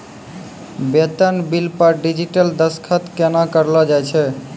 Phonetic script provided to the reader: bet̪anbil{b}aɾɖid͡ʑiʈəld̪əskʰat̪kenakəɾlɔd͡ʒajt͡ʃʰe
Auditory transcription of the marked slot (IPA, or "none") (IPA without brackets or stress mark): p